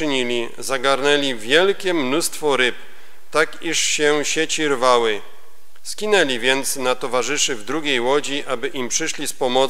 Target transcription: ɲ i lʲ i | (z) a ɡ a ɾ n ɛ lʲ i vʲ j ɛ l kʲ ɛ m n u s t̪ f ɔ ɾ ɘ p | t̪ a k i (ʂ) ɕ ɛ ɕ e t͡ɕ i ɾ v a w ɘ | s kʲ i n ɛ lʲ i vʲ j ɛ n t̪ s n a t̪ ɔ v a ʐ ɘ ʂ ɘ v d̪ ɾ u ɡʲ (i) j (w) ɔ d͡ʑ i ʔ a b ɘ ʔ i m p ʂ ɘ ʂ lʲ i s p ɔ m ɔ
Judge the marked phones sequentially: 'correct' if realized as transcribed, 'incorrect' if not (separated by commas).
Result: correct, correct, incorrect, correct